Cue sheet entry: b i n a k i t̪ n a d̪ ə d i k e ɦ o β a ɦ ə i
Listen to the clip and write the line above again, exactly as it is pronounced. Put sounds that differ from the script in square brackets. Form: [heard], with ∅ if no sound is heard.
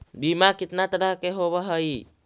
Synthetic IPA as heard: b i [m] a k i t̪ n a [t̪] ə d [a] k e ɦ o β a ɦ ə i